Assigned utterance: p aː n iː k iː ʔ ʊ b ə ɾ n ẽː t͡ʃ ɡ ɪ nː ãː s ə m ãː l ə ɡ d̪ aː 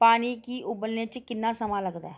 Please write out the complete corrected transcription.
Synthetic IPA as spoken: p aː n iː k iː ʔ ʊ b ə l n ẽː t͡ʃ k ɪ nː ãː s ə m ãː l ə ɡ d̪ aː

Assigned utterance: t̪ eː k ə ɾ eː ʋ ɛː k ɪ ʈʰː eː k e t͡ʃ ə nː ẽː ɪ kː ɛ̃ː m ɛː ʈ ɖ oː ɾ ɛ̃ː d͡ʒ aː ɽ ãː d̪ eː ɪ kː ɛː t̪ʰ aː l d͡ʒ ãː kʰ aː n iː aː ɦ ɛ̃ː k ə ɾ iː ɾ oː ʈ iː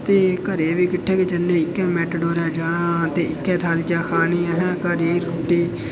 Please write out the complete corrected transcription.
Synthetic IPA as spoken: t̪ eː k ə ɾ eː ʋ iː k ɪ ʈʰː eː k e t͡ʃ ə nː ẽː ɪ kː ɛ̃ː m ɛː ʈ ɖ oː ɾ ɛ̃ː d͡ʒ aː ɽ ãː t̪ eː ɪ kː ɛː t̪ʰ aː l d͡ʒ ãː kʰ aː n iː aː ɦ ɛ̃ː k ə ɾ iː ɾ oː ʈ iː

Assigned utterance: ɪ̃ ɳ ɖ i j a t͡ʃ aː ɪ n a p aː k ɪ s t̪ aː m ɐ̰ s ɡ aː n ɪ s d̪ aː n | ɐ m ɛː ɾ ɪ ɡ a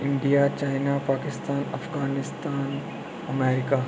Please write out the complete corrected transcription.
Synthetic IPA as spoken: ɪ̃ ɳ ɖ i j a t͡ʃ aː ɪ n a p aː k ɪ s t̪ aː n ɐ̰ f ɡ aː n ɪ s t̪ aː n | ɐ m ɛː ɾ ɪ k a

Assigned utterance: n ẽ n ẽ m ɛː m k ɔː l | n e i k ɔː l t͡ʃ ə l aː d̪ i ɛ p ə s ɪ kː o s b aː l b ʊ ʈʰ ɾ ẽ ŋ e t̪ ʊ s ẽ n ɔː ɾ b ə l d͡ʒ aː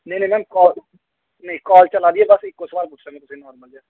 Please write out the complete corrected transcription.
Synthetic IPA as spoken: n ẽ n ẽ m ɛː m k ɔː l | n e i k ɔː l t͡ʃ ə l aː d̪ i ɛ b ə s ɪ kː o s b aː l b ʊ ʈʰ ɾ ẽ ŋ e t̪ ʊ s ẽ n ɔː ɾ m ə l d͡ʒ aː

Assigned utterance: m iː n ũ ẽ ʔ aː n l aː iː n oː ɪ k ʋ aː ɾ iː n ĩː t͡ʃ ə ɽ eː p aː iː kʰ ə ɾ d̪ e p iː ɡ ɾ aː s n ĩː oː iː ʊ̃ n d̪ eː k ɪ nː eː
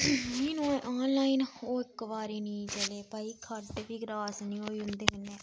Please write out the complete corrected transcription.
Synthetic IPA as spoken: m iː n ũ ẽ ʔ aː n l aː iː n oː ɪ k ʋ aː ɾ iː n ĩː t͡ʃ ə l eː p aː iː kʰ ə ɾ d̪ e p iː ɡ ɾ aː s n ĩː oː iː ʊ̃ n d̪ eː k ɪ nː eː

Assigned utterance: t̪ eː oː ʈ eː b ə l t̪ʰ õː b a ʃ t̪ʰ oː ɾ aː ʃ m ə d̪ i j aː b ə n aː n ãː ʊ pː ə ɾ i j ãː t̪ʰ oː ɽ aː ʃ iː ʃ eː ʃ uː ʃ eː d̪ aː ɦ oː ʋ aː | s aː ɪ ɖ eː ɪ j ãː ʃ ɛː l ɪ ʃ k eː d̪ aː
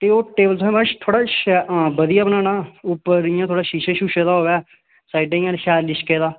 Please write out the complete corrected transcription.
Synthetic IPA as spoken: t̪ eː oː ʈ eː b ə l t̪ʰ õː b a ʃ t̪ʰ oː ɽ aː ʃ b ə d̪ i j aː b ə n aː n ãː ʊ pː ə ɾ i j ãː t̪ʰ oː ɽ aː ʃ iː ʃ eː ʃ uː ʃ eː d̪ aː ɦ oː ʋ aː | s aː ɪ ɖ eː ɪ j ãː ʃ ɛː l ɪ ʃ k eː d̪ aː

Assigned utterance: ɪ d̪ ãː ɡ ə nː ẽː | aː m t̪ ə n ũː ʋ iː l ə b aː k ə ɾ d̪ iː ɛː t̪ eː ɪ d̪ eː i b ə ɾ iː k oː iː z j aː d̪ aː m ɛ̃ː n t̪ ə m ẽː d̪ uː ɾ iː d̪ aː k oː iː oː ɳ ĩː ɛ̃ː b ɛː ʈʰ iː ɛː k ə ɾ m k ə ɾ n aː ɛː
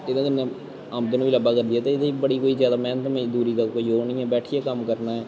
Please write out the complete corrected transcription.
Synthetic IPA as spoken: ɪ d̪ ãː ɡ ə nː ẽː | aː m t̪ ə n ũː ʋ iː l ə b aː k ə ɾ d̪ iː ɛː t̪ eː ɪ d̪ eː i b ə ɽ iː k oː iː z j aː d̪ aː m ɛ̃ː n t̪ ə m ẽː d̪ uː ɾ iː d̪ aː k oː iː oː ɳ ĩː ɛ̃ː b ɛː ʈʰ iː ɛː k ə m k ə ɾ n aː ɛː

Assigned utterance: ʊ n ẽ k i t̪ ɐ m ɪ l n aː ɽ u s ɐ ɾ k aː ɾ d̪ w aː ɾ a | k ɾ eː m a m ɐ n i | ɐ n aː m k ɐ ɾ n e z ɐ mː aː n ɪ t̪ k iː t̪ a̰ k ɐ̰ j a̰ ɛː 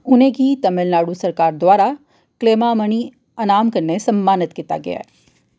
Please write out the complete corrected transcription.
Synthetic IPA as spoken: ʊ n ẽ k i t̪ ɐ m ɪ l n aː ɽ u s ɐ ɾ k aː ɾ d̪ w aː ɾ a | k l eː m a m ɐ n i | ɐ n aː m k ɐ ɾ n e s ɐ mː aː n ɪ t̪ k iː t̪ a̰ ɡ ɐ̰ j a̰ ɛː

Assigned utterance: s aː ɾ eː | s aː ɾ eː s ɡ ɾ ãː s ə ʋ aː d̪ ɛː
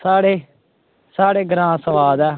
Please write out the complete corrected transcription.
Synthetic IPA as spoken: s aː ɽ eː | s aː ɽ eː ɡ ɾ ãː s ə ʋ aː d̪ ɛː

